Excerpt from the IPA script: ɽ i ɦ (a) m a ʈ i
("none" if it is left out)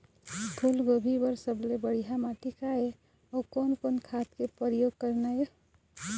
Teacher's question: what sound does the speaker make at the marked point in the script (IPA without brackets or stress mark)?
a